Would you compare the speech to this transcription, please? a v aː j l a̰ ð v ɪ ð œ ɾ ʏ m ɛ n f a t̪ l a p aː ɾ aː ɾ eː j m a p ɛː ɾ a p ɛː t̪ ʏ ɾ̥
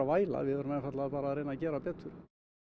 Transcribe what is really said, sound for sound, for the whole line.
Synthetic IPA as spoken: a v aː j l a̰ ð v ɪ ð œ ɾ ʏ m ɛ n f a t̪ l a p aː ɾ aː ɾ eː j n a c ɛː ɾ a p ɛː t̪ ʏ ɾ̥